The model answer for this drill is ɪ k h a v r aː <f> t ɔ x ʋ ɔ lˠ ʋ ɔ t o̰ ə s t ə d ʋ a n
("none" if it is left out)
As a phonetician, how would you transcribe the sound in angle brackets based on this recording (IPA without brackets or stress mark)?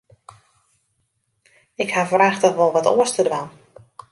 x